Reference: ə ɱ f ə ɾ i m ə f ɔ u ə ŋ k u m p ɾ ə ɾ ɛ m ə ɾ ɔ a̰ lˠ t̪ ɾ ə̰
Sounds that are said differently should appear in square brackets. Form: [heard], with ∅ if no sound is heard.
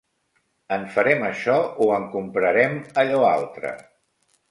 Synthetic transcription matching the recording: ə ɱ f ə ɾ [ɛ] m ə [ʃ] ɔ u ə ŋ k u m p ɾ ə ɾ ɛ m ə [ʎ] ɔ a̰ lˠ t̪ ɾ ə̰